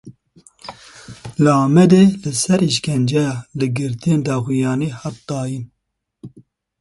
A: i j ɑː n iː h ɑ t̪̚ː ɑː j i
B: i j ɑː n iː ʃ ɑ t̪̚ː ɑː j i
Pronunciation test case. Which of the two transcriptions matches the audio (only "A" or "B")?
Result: A